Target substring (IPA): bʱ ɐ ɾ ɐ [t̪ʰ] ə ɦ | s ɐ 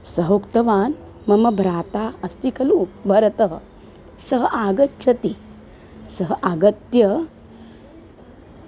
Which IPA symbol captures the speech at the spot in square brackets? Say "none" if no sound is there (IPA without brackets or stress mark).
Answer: t̪